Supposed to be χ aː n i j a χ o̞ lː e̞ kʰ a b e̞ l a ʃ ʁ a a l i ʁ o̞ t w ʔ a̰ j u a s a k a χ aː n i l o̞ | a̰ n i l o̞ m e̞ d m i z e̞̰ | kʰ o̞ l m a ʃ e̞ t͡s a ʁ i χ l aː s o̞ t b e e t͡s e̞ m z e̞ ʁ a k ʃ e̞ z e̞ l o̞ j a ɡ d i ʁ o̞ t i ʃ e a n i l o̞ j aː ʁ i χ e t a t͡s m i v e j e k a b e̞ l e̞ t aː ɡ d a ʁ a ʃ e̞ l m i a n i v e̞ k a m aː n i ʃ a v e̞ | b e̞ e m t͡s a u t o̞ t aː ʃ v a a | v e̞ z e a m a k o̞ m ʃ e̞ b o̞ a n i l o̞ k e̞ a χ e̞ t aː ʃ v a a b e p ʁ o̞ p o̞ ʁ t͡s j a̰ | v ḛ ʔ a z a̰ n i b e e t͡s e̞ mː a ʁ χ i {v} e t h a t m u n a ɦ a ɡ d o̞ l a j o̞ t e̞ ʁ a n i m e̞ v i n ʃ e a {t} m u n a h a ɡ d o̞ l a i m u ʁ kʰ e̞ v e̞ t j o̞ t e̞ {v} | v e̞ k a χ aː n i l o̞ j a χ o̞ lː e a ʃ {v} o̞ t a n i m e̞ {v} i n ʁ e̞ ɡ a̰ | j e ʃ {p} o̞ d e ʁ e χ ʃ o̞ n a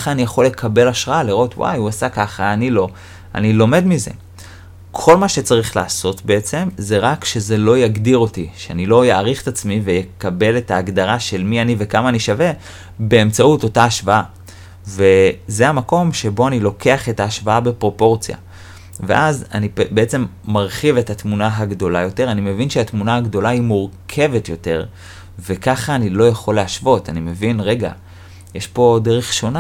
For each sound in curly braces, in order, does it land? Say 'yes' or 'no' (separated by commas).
yes, yes, no, yes, yes, yes